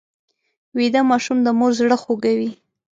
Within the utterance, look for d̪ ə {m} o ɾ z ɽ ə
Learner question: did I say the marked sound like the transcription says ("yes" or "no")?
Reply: yes